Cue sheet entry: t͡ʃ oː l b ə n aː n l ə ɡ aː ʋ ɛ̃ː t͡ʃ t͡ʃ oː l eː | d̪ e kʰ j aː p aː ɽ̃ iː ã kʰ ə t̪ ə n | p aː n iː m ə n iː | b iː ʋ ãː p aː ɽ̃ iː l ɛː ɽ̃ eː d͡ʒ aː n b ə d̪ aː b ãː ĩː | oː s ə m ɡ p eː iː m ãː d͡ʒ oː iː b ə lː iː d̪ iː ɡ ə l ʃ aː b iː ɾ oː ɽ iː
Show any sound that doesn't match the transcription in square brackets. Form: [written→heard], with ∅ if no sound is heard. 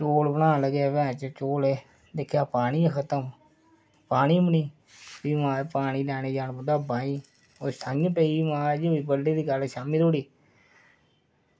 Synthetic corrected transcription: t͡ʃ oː l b ə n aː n l ə ɡ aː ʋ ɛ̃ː t͡ʃ t͡ʃ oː l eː | d̪ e kʰ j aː p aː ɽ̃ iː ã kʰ ə t̪ ə [n→m] | p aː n iː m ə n iː | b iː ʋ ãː p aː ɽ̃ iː l ɛː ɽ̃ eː d͡ʒ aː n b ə d̪ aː b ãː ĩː | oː s ə [m→ŋ] ɡ p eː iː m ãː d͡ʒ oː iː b ə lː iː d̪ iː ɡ ə l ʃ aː [b→m] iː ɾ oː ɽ iː